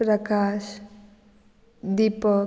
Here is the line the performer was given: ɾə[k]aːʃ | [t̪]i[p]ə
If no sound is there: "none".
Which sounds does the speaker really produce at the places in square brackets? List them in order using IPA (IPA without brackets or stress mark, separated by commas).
k, d̪, p